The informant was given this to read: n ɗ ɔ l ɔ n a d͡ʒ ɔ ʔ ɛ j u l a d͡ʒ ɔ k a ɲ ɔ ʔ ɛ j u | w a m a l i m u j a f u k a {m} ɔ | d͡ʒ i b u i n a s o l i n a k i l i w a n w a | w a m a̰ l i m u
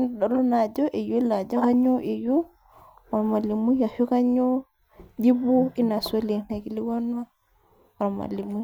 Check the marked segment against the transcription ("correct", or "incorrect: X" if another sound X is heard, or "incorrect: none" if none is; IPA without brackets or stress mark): incorrect: ɲ